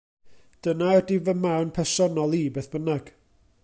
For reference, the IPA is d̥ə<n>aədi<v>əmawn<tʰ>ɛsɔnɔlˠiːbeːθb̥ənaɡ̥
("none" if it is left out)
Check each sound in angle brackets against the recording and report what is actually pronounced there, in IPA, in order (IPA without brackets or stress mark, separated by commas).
n, v, pʰ